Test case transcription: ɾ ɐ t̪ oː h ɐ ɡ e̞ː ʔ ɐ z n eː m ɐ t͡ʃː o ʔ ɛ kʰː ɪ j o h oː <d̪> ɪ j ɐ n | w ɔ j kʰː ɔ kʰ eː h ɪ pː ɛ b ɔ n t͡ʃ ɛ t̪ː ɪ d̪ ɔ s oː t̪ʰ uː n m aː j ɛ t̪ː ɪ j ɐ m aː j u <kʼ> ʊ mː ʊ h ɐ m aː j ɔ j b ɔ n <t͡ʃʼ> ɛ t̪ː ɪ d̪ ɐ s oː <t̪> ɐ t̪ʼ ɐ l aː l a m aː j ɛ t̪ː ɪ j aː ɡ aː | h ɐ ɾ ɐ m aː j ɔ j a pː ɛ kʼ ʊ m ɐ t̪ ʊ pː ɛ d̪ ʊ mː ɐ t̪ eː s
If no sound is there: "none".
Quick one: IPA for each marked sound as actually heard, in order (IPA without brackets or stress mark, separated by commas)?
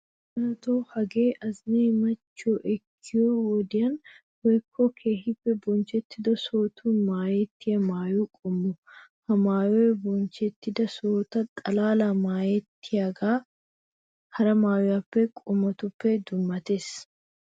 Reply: d̪, kʼ, t͡ʃ, t̪